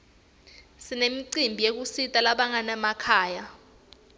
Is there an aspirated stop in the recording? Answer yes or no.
yes